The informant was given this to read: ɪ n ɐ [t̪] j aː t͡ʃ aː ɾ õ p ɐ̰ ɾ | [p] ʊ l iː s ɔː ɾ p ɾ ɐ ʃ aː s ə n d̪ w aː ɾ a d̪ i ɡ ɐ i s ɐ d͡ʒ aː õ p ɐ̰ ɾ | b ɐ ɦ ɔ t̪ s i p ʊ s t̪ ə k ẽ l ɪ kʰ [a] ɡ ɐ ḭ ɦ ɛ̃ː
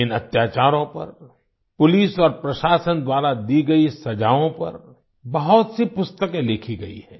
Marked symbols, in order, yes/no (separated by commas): yes, yes, no